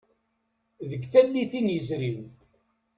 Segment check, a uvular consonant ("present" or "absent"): absent